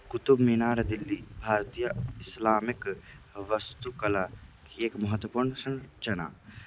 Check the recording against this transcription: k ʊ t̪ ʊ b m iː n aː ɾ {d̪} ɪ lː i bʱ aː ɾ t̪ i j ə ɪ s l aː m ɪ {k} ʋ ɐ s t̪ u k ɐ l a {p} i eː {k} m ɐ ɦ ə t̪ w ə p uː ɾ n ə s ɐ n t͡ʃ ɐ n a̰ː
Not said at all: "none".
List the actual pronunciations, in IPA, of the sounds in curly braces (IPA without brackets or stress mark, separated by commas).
d̪, k, k, k